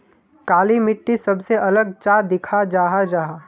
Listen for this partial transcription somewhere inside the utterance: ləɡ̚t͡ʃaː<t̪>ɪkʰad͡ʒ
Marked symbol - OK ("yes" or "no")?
no